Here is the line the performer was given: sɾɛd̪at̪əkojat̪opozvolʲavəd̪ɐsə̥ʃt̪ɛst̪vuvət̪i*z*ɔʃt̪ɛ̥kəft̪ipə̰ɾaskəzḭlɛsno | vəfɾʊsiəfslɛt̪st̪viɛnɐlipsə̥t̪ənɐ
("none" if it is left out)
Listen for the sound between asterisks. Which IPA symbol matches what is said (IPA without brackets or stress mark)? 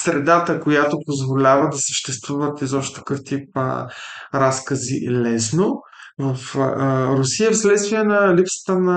z